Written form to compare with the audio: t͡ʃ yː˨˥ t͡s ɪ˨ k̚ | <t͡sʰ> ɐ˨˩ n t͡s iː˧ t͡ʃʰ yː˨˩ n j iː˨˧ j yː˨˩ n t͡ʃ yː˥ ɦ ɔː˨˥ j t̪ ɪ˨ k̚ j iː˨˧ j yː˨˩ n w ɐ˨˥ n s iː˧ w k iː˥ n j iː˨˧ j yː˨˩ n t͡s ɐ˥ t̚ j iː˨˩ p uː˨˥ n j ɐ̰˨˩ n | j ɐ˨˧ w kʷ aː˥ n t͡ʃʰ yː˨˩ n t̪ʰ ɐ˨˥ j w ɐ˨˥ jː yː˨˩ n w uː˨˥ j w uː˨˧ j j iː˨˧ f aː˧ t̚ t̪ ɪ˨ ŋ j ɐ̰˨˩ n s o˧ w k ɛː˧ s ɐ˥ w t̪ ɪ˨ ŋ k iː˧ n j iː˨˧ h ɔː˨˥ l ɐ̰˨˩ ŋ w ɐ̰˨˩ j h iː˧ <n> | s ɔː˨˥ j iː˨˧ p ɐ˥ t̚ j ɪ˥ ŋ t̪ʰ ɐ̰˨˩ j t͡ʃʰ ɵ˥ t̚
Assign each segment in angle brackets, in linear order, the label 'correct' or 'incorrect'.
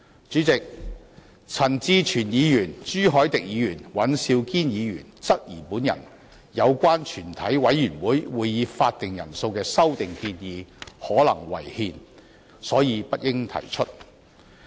correct, correct

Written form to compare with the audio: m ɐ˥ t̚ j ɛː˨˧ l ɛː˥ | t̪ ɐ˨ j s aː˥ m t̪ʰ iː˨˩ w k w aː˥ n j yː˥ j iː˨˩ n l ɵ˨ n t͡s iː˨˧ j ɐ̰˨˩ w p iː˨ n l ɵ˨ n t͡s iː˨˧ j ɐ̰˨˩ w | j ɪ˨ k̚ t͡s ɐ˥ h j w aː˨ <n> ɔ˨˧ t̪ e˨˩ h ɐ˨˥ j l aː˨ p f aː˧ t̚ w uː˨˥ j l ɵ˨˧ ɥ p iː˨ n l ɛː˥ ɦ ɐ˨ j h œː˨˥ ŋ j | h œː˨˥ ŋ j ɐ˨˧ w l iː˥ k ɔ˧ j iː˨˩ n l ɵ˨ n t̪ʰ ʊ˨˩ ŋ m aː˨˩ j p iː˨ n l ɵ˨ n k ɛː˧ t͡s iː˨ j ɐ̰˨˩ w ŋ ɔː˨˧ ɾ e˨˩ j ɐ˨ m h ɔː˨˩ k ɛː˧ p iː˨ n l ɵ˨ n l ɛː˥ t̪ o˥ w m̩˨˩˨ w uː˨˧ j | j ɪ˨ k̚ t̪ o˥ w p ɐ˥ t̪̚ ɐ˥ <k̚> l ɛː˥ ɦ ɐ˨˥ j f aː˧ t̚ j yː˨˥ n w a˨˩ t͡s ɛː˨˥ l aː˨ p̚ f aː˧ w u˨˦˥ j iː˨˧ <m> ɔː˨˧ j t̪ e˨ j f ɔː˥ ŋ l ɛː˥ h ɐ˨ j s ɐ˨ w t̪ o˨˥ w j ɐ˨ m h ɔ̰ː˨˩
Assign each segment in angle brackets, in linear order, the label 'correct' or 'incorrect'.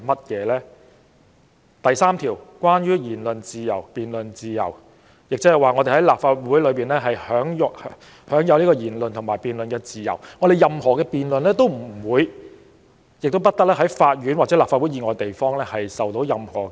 incorrect, correct, incorrect

